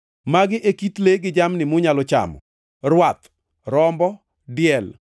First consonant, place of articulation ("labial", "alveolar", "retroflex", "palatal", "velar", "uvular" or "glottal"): labial